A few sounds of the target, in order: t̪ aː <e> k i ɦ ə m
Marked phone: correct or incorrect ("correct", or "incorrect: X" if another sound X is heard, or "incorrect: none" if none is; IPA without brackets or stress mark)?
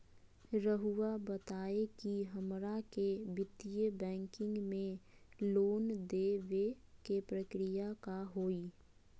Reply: correct